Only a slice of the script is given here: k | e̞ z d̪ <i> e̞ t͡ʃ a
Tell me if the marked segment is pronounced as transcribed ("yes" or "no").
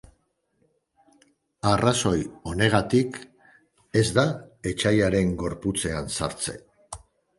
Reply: no